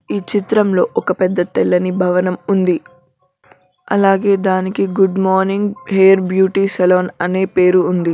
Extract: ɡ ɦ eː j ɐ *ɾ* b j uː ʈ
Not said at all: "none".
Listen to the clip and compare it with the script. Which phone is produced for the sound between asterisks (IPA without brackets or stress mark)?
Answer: ɾ